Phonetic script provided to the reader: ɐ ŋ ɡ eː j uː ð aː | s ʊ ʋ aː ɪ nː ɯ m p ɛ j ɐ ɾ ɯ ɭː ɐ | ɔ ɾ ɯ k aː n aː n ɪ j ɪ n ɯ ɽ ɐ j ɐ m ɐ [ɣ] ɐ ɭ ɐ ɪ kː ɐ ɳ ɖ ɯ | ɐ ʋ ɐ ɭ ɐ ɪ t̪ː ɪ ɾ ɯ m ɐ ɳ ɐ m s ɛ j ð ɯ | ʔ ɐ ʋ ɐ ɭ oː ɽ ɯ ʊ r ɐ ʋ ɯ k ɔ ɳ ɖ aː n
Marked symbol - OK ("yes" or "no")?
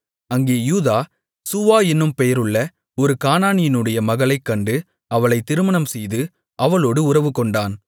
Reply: yes